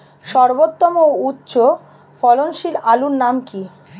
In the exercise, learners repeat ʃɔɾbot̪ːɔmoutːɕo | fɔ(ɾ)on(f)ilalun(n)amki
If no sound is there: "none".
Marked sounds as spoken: l, ʃ, n

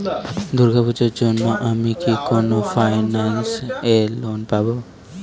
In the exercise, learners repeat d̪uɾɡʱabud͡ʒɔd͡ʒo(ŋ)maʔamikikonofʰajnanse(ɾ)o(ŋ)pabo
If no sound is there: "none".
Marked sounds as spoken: n, l, n

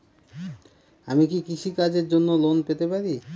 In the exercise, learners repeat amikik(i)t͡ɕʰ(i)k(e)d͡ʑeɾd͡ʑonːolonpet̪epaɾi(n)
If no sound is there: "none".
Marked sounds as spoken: i, i, a, none

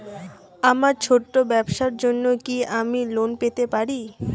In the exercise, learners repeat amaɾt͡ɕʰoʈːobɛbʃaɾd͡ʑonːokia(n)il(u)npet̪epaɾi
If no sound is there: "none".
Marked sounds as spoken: m, o

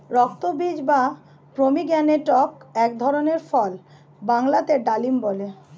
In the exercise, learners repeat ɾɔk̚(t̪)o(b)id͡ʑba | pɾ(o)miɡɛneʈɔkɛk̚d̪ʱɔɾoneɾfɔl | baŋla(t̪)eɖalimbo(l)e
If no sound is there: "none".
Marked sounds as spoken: t̪, b, o, t̪, l

